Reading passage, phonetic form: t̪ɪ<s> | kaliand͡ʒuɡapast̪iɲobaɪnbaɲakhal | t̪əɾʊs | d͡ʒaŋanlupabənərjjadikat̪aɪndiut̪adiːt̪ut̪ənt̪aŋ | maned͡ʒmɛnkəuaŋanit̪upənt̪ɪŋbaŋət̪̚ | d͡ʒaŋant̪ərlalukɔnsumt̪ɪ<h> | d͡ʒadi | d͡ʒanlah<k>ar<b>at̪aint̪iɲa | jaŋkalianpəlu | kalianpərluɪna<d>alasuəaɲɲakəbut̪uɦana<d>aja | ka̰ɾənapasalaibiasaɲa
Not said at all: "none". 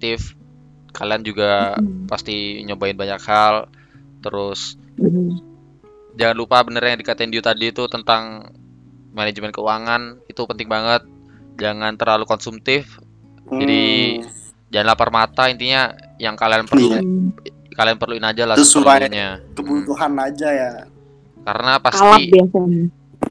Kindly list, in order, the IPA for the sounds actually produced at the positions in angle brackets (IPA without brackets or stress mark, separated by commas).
f, f, p, m, d͡ʒ, d͡ʒ